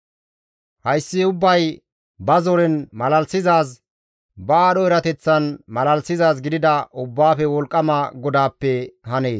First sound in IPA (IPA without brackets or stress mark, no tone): h